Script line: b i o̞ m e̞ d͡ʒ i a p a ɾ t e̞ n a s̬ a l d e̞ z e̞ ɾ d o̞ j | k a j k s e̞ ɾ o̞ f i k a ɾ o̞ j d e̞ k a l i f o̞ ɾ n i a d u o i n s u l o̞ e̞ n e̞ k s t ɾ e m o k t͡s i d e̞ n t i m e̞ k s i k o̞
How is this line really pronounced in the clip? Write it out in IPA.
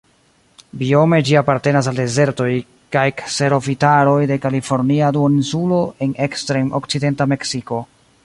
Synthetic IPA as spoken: b i o̞ m e̞ d͡ʒ i a p a ɾ t e̞ n a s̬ a l d e̞ z e̞ ɾ t o̞ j | k a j k s e̞ ɾ o̞ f i t a ɾ o̞ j d e̞ k a l i f o̞ ɾ n i a d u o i n s u l o̞ e̞ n e̞ k s t ɾ e m o k t͡s i d e̞ n t a m e̞ k s i k o̞